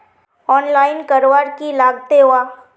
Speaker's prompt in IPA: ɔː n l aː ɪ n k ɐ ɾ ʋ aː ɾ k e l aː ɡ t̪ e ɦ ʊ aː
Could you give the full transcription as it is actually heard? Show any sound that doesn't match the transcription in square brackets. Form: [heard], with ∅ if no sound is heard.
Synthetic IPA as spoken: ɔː n l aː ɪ n k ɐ ɾ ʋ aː ɾ k [i] l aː ɡ t̪ e ɦ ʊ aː